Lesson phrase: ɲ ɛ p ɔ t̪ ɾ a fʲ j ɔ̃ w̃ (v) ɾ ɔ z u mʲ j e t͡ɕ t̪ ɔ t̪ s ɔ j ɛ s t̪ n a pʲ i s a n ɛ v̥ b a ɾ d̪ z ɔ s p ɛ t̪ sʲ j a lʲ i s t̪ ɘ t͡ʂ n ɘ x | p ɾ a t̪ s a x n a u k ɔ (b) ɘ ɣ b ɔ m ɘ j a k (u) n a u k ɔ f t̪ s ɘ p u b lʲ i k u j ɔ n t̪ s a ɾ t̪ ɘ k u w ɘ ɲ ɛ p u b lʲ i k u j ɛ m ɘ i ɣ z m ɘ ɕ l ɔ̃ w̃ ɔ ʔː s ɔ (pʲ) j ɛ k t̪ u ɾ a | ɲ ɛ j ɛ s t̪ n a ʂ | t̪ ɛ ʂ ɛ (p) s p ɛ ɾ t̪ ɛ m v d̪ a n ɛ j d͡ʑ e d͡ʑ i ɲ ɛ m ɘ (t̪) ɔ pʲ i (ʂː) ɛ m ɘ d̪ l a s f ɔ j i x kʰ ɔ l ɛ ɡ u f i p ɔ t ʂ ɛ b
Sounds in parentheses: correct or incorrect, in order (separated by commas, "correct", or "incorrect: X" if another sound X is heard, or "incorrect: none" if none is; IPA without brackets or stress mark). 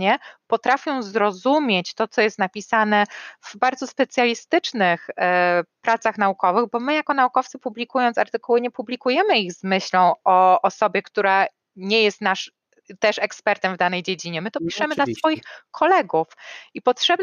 incorrect: z, incorrect: v, incorrect: ɔ, incorrect: bʲ, incorrect: k, correct, incorrect: ʂ